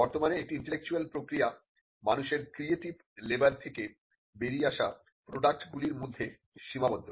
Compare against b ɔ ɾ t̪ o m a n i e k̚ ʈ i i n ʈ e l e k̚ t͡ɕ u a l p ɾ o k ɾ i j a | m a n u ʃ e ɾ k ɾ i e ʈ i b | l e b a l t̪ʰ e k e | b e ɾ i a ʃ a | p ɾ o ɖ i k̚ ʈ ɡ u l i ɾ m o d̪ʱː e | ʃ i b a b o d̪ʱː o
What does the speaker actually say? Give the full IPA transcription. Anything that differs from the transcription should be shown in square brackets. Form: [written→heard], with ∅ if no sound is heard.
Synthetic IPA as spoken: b ɔ ɾ t̪ o m a n [i→e] e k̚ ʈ i i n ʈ e l e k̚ t͡ɕ u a l p ɾ o k ɾ i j a | m a n u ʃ e ɾ k ɾ i e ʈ i b | l e b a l t̪ʰ e k e | b e ɾ i a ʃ a | p ɾ o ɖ [i→a] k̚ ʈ ɡ u l i ɾ m o d̪ʱː e | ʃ i [b→m] a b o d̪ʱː o